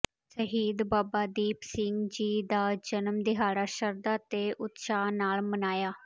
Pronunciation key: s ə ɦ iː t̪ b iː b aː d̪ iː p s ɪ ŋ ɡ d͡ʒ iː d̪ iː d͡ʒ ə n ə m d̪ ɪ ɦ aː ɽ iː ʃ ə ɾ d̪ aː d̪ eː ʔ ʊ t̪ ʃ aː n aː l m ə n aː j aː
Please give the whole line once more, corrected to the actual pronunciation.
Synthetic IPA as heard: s ə ɦ iː d̪ b aː b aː d̪ iː p s ɪ ŋ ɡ d͡ʒ iː d̪ aː d͡ʒ ə n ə m d̪ ɪ ɦ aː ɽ aː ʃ ə ɾ d̪ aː t̪ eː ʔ ʊ t̪ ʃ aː n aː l m ə n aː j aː